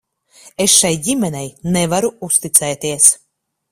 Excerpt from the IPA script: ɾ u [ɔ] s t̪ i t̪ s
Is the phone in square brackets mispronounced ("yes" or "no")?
yes